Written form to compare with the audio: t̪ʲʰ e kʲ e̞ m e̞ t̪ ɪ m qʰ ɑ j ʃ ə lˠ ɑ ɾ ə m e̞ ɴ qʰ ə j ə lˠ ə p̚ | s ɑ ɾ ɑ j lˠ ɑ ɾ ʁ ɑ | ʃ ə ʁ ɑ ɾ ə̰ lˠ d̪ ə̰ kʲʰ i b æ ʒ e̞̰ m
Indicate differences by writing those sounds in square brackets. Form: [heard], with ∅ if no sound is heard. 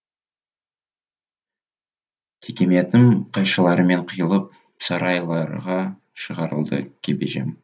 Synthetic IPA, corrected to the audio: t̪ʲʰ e kʲ e̞ m e̞ t̪ ɪ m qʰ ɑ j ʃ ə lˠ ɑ ɾ ə m e̞ ɴ qʰ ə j ə lˠ ə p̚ | s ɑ ɾ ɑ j lˠ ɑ ɾ ʁ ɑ | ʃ ə ʁ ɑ ɾ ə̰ lˠ d̪ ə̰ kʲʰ [e] b [e] ʒ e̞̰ m